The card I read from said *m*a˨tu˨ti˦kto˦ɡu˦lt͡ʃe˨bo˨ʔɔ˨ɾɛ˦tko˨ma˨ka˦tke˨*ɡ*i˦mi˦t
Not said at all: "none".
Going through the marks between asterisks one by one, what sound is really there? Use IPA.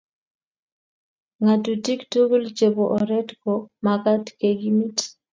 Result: ŋ, ɡ

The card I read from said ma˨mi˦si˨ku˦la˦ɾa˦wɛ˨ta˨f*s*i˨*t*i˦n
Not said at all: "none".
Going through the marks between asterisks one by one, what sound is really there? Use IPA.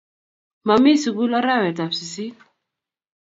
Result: s, s

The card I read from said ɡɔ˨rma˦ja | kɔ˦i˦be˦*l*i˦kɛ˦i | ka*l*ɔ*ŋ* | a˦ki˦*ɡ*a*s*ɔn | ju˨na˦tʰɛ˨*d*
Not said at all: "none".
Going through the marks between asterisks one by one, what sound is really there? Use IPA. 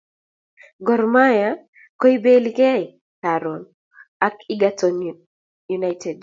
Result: l, ɾ, n, ɡ, t, d

